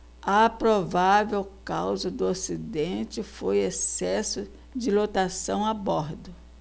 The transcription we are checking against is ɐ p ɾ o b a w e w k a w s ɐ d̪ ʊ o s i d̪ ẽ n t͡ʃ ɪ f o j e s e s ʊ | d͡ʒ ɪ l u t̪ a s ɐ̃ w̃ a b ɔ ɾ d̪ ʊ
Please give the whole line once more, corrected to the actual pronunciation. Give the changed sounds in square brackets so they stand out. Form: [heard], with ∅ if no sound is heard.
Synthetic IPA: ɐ p ɾ o [v] a [v] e w k a w [z] ɐ d̪ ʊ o s i d̪ ẽ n t͡ʃ ɪ f o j e s [ɛ] s ʊ | d͡ʒ ɪ l [o] t̪ a s ɐ̃ w̃ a b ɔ ɾ d̪ ʊ